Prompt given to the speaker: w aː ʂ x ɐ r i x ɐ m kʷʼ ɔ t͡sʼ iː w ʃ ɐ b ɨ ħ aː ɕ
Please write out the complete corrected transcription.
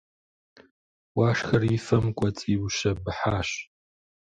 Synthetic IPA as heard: w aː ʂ x ɐ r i f ɐ m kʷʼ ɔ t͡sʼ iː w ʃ ɐ b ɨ ħ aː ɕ